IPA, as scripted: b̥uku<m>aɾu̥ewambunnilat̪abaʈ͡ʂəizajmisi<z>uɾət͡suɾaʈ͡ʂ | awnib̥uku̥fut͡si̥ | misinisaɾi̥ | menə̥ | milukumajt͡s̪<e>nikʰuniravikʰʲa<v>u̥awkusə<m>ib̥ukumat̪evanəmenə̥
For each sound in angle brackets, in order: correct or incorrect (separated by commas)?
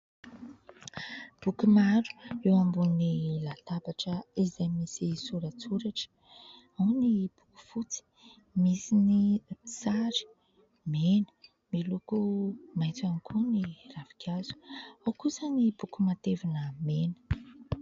correct, incorrect, incorrect, incorrect, incorrect